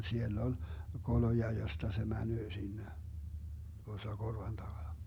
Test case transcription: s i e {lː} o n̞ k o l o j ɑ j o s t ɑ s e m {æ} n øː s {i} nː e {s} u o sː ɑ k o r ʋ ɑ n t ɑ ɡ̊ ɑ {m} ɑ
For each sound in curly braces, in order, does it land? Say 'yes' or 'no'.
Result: yes, yes, yes, no, no

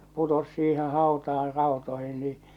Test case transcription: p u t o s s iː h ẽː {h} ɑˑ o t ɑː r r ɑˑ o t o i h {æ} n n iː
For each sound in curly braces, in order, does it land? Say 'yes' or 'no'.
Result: yes, no

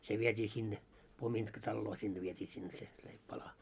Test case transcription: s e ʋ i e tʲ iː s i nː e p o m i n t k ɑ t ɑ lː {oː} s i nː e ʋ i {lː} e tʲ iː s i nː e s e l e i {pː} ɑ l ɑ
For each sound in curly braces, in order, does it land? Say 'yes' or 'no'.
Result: yes, no, yes

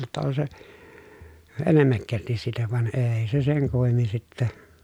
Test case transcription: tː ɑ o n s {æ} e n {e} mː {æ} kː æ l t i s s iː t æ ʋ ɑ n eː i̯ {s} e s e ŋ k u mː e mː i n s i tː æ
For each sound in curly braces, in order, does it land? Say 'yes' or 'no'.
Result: no, yes, yes, yes

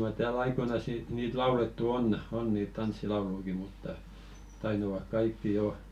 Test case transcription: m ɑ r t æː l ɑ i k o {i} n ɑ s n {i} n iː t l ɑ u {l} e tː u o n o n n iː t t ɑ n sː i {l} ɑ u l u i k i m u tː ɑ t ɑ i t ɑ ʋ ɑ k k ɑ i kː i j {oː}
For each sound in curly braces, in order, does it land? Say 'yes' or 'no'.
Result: yes, yes, yes, yes, no

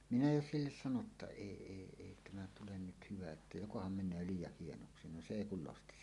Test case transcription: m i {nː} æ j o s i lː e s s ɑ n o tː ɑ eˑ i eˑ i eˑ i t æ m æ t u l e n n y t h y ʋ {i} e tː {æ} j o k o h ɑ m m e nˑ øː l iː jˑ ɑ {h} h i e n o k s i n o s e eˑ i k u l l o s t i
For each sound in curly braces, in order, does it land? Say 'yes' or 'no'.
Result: no, no, yes, yes

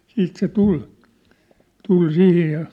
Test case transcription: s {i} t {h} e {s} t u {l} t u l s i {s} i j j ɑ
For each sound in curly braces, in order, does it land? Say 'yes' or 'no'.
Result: no, no, no, yes, no

